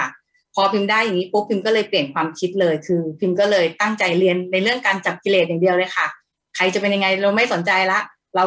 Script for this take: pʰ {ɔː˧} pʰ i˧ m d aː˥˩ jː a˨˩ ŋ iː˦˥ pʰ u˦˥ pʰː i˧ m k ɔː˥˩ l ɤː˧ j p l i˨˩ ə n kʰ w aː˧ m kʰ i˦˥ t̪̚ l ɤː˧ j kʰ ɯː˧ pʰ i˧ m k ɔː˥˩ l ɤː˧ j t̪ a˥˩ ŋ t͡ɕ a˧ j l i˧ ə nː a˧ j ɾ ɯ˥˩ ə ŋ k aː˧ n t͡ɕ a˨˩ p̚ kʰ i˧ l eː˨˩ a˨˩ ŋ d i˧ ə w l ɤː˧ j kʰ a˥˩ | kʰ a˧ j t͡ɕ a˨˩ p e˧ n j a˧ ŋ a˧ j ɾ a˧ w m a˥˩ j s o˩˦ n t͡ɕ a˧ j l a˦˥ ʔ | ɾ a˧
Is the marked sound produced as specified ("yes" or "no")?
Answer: yes